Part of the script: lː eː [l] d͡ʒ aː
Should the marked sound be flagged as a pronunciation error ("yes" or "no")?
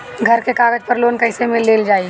no